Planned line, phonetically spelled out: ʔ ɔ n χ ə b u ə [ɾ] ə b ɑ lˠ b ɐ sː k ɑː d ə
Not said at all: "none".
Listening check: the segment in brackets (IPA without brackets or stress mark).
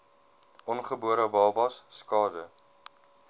ɾ